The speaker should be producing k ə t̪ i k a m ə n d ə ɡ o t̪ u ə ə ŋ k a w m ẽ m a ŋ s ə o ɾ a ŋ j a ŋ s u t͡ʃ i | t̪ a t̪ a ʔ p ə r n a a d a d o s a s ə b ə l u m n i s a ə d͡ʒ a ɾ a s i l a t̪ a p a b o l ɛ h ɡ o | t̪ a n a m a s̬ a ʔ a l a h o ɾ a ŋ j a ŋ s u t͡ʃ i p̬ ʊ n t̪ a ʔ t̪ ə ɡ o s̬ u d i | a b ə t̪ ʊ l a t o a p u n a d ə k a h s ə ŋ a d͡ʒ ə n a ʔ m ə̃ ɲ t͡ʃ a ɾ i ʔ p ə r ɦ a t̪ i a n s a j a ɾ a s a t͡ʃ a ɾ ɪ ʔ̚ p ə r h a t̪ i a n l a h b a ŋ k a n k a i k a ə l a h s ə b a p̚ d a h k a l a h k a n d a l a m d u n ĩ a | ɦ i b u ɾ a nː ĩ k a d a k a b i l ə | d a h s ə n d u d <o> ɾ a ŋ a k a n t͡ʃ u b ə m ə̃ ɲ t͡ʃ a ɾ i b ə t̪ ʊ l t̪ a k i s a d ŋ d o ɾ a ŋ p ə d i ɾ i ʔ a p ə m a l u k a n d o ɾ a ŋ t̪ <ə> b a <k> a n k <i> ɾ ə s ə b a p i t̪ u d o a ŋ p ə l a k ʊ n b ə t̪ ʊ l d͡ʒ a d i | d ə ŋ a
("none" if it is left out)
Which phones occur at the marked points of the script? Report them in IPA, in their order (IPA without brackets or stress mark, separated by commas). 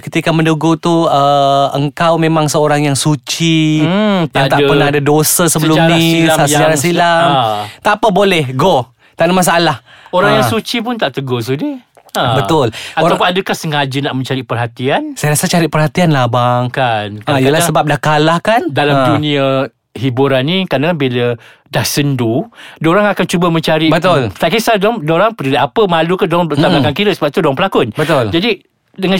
o, a, k, i